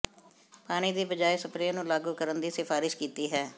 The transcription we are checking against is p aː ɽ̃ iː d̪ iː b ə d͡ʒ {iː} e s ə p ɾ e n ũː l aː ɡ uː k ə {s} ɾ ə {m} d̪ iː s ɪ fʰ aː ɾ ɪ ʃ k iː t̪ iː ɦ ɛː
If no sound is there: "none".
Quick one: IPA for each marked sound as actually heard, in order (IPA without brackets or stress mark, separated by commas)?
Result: aː, none, n